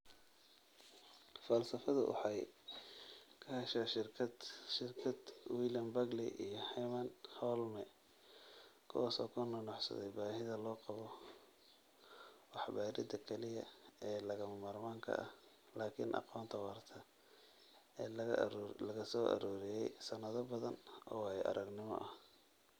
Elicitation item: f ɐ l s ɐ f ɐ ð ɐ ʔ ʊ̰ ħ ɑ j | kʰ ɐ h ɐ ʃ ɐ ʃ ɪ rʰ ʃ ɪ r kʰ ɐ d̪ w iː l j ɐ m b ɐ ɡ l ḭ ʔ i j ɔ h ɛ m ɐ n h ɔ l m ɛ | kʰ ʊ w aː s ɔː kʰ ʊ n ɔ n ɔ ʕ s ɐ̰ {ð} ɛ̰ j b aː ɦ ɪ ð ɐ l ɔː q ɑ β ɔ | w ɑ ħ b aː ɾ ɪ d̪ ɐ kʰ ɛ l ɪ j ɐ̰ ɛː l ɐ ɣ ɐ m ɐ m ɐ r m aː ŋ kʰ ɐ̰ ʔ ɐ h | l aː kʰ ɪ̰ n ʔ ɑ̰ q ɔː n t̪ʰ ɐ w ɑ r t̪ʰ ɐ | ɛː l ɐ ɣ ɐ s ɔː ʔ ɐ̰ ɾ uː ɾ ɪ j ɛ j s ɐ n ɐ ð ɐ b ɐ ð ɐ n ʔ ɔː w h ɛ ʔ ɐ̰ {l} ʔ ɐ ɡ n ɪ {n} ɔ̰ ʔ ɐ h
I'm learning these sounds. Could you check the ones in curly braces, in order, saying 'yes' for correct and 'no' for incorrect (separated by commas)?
yes, no, no